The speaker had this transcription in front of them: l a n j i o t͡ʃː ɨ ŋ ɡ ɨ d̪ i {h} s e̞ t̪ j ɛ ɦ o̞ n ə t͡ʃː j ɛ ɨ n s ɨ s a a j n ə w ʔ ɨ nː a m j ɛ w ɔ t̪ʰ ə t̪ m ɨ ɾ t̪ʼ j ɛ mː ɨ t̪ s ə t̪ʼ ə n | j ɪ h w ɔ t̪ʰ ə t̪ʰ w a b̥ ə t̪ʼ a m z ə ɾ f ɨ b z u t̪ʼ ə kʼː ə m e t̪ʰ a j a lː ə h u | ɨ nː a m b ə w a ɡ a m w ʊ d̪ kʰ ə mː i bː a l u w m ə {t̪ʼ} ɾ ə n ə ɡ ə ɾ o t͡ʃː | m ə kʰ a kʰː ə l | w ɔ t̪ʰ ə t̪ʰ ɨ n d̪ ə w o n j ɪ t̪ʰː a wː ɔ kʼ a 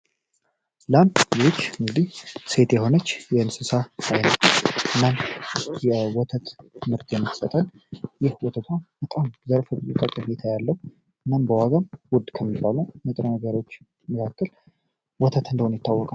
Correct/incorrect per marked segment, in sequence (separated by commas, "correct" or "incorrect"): correct, correct